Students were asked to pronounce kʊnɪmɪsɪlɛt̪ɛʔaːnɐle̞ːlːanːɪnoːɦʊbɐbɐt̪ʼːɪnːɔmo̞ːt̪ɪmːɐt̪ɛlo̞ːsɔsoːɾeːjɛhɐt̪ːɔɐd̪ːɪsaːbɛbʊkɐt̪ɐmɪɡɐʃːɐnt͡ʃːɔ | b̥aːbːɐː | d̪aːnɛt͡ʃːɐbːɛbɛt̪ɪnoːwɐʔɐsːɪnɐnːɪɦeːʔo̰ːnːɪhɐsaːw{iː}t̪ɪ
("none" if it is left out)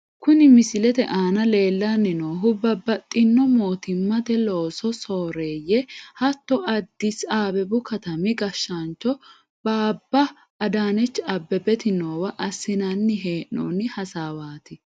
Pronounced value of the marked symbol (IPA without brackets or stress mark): aː